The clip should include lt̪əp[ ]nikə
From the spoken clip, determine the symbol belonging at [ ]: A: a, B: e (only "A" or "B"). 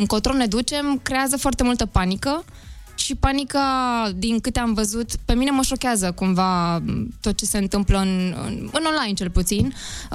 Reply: A